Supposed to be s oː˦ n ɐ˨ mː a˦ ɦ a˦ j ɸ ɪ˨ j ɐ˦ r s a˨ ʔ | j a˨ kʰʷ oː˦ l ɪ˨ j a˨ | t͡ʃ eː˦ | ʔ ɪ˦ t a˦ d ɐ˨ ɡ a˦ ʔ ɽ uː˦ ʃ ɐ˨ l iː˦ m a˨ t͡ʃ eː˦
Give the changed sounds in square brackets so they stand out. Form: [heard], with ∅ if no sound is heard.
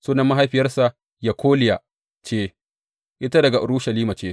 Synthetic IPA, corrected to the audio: s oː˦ n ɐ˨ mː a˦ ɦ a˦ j ɸ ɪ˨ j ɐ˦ r s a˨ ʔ | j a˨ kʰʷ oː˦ l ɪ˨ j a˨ | t͡ʃ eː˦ | ʔ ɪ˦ t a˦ d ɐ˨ ɡ [a˨] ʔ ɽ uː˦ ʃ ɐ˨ l iː˦ m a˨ t͡ʃ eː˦